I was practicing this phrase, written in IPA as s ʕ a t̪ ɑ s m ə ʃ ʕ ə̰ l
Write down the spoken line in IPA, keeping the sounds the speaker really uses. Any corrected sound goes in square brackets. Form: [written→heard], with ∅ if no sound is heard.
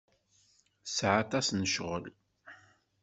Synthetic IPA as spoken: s ʕ a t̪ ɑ s [m→n] ə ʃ [ʕ→ʁ] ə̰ l